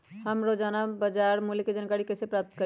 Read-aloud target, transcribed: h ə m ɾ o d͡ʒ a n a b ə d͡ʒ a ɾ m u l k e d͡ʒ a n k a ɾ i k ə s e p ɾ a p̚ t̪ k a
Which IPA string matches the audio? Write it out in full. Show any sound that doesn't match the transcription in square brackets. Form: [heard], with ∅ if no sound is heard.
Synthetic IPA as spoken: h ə m ɾ o d͡ʒ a n a b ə d͡ʒ a ɾ m u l k e d͡ʒ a n k a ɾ i k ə s e p ɾ a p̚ t̪ k [ə]

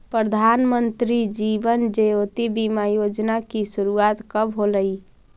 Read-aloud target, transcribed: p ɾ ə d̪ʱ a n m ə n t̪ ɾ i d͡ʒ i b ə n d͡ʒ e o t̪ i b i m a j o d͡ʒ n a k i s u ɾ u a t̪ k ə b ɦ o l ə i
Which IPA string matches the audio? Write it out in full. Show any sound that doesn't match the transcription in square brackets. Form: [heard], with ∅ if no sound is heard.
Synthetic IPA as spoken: p ɾ ə d̪ʱ a n m ə n t̪ ɾ i d͡ʒ i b ə n d͡ʒ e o t̪ i b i m a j o d͡ʒ n a k i s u ɾ u a t̪ k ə b ɦ o l ə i

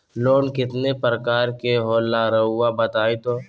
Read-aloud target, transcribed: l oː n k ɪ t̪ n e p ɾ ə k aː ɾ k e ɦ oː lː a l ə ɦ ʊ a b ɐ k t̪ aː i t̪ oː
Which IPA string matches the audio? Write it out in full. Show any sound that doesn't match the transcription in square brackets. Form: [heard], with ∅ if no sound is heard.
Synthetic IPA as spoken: l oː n k ɪ t̪ n e p ɾ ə k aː ɾ k e ɦ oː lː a [ɾ] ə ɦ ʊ a b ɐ [∅] t̪ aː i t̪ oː

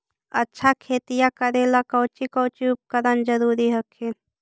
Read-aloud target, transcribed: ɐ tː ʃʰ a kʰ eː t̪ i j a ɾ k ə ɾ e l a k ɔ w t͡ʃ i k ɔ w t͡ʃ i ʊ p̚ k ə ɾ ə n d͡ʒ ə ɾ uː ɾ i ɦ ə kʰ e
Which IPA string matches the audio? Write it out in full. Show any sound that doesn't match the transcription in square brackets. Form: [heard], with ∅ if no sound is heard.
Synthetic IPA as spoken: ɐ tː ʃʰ a kʰ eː t̪ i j a [∅] k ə ɾ e l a k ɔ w t͡ʃ i k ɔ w t͡ʃ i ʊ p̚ k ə ɾ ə n d͡ʒ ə ɾ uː ɾ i ɦ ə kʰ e

